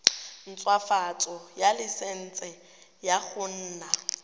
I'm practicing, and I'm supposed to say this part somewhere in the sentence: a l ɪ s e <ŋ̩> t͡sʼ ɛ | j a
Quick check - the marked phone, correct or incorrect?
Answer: incorrect